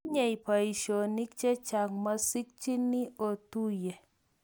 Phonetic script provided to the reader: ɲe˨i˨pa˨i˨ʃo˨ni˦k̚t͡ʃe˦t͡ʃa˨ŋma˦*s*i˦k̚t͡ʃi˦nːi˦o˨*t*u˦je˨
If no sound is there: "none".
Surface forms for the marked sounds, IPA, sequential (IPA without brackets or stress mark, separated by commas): s, t